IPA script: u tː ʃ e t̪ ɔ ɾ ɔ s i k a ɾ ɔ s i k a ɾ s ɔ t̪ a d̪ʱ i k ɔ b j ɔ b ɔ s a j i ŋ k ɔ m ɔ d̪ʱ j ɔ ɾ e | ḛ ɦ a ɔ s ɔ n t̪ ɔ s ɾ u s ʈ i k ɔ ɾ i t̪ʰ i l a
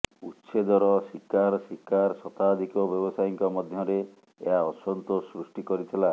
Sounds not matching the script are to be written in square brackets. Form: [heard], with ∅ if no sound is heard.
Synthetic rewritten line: u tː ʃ e [d̪] ɔ ɾ ɔ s i k a ɾ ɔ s i k a ɾ s ɔ t̪ a d̪ʱ i k ɔ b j ɔ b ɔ s a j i ŋ k ɔ m ɔ d̪ʱ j ɔ ɾ e | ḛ ɦ a ɔ s ɔ n t̪ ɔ s ɾ u s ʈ i k ɔ ɾ i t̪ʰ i l a